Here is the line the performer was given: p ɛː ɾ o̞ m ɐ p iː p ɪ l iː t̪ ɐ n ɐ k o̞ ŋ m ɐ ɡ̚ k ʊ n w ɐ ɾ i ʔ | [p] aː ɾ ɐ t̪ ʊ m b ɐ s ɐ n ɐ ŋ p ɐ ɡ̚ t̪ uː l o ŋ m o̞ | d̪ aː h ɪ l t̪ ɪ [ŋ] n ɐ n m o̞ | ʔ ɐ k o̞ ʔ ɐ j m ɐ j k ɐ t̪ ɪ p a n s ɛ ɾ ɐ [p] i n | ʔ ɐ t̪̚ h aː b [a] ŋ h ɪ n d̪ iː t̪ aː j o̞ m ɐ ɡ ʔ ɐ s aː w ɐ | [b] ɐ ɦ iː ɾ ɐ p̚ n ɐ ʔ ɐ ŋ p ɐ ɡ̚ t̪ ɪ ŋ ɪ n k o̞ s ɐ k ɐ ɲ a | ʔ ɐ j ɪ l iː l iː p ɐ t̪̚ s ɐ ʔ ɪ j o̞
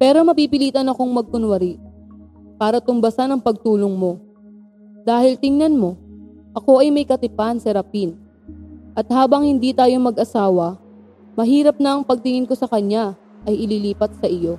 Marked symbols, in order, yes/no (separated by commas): yes, yes, yes, no, no